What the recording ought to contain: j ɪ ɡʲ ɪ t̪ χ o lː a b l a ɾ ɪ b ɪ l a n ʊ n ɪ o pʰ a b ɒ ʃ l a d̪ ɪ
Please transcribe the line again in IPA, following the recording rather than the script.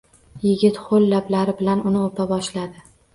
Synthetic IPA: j ɪ ɡʲ ɪ t̪ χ o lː a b l a ɾ ɪ b ɪ l a n ʊ n ɪ o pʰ a b ɒ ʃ l a d̪ ɪ